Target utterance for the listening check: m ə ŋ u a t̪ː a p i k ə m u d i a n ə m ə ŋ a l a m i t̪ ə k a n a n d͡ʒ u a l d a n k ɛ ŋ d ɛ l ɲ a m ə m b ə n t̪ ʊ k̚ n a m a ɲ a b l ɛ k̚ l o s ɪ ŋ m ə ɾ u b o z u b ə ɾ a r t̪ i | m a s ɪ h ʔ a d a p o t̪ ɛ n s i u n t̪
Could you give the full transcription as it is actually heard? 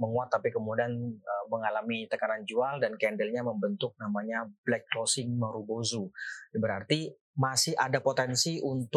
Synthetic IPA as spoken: m ə ŋ u a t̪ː a p i k ə m u d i a n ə m ə ŋ a l a m i t̪ ə k a n a n d͡ʒ u a l d a n k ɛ n d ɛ l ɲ a m ə m b ə n t̪ ʊ k̚ n a m a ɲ a b l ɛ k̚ l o s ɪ ŋ m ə ɾ u b o z u b ə ɾ a r t̪ i | m a s ɪ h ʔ a d a p o t̪ ɛ n s i u n t̪